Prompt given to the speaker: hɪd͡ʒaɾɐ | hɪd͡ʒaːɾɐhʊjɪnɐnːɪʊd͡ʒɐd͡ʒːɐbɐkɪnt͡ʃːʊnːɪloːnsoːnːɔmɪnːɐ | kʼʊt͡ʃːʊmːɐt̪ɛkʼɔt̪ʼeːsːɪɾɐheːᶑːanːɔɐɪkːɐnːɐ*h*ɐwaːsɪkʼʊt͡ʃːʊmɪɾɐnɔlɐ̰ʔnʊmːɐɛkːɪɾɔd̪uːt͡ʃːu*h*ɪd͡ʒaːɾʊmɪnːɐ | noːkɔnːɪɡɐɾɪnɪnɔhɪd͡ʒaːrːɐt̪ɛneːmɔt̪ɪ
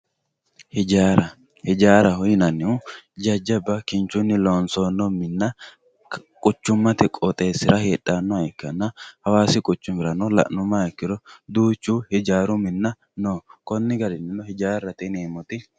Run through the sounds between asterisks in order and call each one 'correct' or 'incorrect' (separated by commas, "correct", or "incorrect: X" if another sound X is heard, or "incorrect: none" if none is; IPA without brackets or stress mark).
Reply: correct, correct